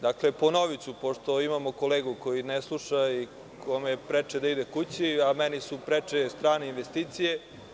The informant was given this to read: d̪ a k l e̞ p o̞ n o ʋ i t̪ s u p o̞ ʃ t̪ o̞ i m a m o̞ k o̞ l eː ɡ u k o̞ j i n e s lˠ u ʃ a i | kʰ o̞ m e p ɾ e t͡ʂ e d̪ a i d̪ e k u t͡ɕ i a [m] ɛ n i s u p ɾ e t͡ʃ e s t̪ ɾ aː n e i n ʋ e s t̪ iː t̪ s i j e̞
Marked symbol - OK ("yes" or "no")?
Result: yes